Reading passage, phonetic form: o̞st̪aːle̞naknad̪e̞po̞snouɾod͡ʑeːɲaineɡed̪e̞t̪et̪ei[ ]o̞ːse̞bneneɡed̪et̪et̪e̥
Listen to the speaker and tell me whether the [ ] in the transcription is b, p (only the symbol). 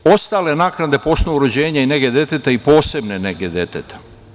p